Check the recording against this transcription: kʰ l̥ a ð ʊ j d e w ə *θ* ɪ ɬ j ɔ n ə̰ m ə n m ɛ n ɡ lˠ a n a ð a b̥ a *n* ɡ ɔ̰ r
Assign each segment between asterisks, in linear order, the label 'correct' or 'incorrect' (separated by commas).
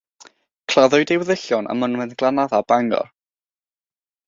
incorrect, incorrect